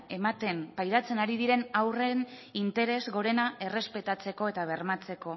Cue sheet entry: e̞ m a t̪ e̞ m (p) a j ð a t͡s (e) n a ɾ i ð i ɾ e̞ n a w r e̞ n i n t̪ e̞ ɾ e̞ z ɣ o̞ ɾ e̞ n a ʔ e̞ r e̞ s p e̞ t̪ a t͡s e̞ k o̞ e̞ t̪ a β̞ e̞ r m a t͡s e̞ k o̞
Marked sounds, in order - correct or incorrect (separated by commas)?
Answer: correct, correct